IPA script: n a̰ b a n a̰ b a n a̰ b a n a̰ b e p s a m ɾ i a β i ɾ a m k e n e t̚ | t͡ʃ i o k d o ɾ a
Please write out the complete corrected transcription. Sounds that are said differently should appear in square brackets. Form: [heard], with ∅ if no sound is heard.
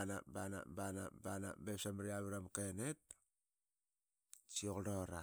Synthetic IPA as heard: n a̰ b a n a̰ b a n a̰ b a n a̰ b e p s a m ɾ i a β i ɾ a m k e n e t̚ | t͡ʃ i o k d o ɾ a

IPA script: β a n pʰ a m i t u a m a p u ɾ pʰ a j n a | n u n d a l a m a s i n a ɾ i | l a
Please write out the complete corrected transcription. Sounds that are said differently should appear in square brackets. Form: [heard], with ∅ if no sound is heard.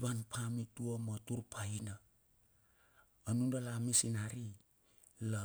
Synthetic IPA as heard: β a n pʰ a m i t u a m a [t] u ɾ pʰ a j n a | n u n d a l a m [i] s i n a ɾ i | l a

